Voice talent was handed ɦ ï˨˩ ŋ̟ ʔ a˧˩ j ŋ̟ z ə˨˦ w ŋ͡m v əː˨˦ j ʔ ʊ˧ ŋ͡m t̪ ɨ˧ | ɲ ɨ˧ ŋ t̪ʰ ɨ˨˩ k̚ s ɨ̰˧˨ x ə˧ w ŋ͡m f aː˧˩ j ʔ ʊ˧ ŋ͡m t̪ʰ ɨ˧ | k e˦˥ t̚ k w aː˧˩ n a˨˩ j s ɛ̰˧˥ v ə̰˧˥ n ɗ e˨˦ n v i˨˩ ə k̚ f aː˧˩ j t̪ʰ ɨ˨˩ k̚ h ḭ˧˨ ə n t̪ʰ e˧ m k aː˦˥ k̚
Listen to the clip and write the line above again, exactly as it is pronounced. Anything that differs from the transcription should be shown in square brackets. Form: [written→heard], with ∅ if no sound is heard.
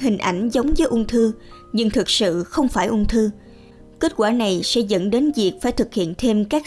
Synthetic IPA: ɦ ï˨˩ ŋ̟ ʔ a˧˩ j ŋ̟ z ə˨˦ w ŋ͡m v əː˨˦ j ʔ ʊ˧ ŋ͡m [t̪→t̪ʰ] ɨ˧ | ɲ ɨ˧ ŋ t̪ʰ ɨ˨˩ k̚ s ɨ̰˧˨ x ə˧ w ŋ͡m f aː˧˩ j ʔ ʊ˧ ŋ͡m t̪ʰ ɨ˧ | k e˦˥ t̚ k w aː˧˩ n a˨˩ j s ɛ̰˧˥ [v→z] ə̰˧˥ n ɗ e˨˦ n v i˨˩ ə k̚ f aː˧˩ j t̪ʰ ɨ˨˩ k̚ h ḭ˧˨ ə n t̪ʰ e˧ m k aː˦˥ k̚